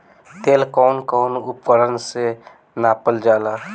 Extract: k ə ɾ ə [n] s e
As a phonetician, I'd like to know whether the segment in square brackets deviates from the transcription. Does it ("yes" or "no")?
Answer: no